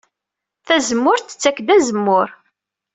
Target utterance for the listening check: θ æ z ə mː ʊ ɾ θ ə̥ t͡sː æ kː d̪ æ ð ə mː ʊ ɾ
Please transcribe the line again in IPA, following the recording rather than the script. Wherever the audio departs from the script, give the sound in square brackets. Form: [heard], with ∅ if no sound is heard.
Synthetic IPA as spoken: θ æ z ə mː ʊ ɾ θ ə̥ t͡sː æ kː d̪ æ [z] ə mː ʊ ɾ